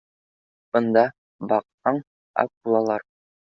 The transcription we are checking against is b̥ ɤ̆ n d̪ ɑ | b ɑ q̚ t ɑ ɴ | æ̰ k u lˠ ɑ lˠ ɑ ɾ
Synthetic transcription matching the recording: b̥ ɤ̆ n d̪ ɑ | b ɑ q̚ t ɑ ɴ | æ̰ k u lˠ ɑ lˠ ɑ ɾ